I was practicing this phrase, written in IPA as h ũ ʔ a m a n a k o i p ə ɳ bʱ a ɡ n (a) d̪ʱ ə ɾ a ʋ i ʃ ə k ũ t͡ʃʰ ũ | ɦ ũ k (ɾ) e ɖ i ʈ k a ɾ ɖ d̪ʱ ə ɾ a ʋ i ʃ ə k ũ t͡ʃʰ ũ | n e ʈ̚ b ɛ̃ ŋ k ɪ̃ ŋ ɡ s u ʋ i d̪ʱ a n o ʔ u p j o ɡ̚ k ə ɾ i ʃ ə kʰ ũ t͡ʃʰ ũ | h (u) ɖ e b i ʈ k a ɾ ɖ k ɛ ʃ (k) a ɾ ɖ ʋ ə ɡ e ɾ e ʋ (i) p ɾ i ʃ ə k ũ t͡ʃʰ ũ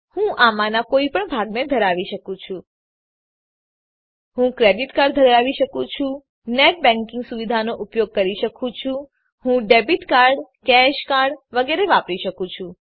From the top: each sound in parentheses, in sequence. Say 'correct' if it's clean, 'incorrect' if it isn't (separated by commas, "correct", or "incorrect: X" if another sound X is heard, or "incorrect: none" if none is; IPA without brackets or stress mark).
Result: incorrect: e, correct, incorrect: ũ, correct, incorrect: a